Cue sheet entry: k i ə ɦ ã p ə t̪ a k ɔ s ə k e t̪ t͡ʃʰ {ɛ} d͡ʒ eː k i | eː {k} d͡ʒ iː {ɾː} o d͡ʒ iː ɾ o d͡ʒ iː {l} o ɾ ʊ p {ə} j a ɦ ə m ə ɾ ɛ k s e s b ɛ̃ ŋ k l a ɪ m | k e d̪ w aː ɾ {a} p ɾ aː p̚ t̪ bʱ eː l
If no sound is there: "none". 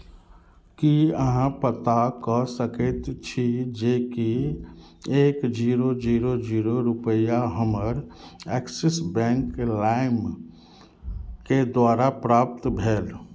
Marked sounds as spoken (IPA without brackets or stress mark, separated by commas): i, k, ɾ, ɾ, ə, a